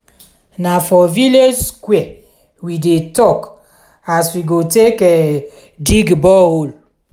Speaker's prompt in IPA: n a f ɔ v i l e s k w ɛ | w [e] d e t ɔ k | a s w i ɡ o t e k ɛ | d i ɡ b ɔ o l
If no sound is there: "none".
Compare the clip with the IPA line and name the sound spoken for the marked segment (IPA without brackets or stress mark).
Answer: i